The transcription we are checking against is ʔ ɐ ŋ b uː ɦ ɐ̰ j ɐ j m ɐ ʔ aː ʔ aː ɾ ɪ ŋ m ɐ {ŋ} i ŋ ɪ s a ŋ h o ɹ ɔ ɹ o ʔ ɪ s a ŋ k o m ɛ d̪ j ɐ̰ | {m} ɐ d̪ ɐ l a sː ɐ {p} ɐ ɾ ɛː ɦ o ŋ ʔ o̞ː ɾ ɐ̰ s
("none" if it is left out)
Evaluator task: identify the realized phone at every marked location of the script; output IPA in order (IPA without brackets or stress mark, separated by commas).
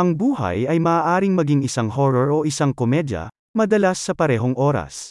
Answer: ɡ, m, p